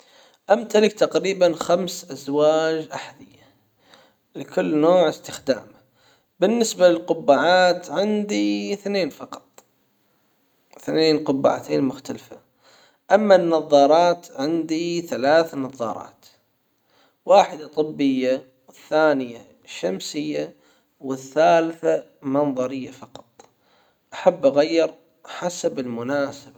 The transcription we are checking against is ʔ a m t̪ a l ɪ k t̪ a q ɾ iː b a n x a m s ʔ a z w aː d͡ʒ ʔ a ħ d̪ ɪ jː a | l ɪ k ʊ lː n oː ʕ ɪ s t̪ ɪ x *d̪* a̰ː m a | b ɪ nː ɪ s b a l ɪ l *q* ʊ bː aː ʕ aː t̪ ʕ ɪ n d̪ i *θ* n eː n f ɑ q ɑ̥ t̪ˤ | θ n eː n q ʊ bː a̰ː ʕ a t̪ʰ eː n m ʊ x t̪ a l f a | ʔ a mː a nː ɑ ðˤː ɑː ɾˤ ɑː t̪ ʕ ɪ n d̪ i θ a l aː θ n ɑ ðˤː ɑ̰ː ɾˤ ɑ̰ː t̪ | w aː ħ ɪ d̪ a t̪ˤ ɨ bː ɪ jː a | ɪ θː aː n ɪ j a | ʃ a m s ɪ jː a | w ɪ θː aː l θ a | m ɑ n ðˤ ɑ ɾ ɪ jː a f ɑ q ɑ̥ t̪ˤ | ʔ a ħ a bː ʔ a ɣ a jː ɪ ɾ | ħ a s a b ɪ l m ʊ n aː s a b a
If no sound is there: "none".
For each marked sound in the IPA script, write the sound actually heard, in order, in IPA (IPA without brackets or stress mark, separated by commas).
d̪, q, θ